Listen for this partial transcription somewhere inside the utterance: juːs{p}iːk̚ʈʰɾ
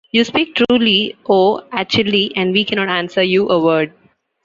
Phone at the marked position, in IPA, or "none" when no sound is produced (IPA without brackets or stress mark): p